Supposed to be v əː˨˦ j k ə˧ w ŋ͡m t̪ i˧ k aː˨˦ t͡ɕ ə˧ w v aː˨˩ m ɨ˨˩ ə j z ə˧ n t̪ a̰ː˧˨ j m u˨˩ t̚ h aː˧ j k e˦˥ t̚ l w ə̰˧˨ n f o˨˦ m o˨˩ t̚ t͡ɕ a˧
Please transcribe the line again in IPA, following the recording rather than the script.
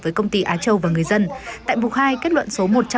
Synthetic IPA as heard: v əː˨˦ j k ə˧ w ŋ͡m t̪ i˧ ʔ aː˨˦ t͡ɕ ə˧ w v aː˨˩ ŋ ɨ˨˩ ə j z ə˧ n t̪ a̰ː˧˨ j m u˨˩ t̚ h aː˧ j k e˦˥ t̚ l w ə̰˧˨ n s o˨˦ m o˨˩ t̚ t͡ɕ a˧